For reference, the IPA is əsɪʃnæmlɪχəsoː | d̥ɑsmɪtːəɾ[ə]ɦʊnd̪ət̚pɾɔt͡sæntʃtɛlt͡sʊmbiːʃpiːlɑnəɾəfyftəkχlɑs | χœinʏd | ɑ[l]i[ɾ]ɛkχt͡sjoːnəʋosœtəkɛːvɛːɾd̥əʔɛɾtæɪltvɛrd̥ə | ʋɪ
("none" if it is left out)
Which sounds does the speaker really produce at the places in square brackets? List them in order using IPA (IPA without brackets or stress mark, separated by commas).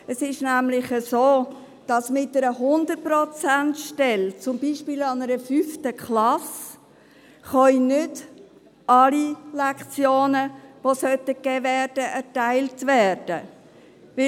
ə, l, l